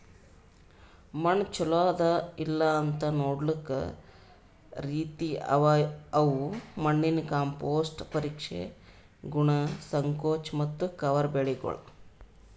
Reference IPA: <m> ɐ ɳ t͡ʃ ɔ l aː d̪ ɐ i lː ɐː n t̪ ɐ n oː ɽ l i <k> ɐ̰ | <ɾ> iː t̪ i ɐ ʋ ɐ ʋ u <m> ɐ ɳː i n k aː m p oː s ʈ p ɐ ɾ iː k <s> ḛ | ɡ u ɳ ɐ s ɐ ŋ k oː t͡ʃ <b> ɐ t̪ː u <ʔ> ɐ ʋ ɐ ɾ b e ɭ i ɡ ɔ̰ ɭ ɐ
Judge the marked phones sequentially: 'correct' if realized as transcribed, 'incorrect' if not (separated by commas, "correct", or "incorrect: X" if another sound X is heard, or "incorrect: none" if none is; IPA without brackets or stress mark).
correct, correct, correct, correct, incorrect: ʂ, incorrect: m, incorrect: k